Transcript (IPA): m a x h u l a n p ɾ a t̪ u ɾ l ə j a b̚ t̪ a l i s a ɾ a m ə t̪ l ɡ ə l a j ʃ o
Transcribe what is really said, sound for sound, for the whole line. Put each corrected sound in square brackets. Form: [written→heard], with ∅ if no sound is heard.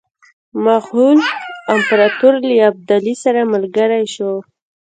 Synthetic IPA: m a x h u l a [n→m] p ɾ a t̪ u ɾ l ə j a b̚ [t̪→d̪] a l i s a ɾ a m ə [t̪→∅] l ɡ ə [l→ɾ] a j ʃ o